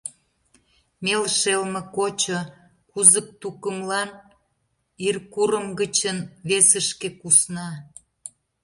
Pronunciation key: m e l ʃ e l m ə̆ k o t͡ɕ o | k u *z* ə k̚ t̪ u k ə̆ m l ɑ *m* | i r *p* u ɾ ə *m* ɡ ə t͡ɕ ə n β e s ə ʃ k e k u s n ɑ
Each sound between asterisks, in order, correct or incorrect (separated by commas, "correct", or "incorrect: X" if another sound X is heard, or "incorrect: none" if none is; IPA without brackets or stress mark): correct, incorrect: n, incorrect: k, correct